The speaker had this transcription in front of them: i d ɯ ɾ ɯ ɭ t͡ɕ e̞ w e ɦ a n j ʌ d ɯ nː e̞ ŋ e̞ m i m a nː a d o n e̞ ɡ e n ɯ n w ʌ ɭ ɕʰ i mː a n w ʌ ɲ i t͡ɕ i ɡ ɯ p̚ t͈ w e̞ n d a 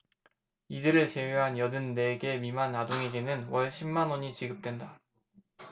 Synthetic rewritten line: i d ɯ ɾ ɯ ɭ t͡ɕ e̞ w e ɦ a n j ʌ d ɯ nː e̞ ɡ e̞ m i m a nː a d o ŋ e̞ ɡ e n ɯ n w ʌ ɭ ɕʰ i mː a n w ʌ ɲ i t͡ɕ i ɡ ɯ p̚ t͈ w e̞ n d a